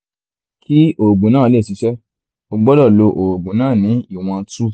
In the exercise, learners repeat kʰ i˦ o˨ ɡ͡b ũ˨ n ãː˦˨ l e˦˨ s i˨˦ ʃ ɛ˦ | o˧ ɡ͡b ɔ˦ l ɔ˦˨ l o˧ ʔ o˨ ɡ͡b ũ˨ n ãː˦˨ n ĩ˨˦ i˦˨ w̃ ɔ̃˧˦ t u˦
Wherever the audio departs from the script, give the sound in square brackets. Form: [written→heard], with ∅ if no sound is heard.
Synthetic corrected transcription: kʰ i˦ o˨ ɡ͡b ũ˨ n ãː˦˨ l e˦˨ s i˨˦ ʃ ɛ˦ | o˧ ɡ͡b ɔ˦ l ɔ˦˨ l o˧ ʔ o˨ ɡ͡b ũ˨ n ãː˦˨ n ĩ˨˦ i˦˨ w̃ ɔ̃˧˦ t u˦